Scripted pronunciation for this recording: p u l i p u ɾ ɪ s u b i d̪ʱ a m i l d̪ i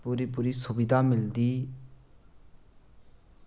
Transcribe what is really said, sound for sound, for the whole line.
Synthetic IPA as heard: p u ɾ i p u ɾ i s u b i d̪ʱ a m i l d̪ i